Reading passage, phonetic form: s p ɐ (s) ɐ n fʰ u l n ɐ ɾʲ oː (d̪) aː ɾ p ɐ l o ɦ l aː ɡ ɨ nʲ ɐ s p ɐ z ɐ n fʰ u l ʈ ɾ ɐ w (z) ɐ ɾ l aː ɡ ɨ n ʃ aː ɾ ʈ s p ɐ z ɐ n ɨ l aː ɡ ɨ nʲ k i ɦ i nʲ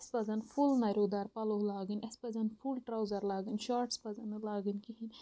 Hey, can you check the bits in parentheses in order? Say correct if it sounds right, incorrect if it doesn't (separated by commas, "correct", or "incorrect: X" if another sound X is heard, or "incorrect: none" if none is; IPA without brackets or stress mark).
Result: incorrect: z, correct, correct